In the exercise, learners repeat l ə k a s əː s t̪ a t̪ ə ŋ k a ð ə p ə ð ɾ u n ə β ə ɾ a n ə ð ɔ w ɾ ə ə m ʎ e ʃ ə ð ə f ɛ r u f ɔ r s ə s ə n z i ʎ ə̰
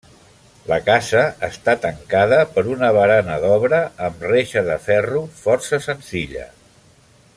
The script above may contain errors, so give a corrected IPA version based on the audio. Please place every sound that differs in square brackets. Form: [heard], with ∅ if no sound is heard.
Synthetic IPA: l ə k a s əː s t̪ a t̪ ə ŋ k a ð ə p ə [∅] ɾ u n ə β ə ɾ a n ə ð ɔ [β] ɾ ə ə m [r] e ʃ ə ð ə f ɛ r u f ɔ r s ə s ə n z i ʎ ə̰